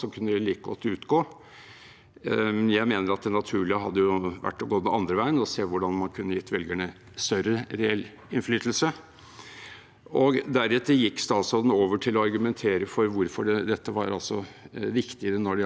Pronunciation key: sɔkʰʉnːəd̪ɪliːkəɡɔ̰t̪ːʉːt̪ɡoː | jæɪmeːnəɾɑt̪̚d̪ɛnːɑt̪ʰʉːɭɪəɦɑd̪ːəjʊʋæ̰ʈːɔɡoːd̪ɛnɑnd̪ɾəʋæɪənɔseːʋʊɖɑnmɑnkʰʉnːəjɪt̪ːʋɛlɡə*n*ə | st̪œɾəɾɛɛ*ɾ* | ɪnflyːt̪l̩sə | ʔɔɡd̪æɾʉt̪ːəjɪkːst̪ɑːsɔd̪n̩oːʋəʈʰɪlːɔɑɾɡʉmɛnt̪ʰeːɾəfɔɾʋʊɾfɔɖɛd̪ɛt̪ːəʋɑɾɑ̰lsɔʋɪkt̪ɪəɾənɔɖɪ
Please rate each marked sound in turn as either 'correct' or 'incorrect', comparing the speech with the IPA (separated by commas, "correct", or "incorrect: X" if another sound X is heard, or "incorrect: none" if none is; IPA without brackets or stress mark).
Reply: incorrect: ɳ, incorrect: l